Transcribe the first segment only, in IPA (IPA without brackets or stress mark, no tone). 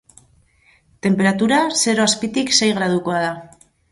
t̪